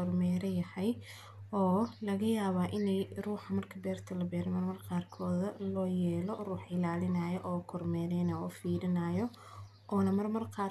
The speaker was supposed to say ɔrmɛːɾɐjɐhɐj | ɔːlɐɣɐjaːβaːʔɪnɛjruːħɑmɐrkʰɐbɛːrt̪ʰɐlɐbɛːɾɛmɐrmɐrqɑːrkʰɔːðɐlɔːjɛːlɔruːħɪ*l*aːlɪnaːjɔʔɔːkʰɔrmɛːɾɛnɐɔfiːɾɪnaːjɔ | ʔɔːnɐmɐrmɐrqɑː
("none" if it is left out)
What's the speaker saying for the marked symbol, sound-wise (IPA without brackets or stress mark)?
l